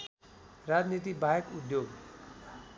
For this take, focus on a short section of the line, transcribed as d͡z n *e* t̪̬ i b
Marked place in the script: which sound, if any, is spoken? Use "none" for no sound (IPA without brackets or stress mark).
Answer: i